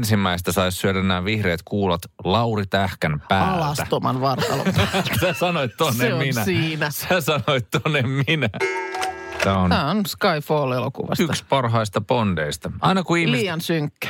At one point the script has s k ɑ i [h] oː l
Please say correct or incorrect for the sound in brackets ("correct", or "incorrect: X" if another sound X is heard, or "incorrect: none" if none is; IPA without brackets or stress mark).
incorrect: f